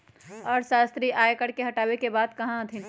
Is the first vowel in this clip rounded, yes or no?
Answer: yes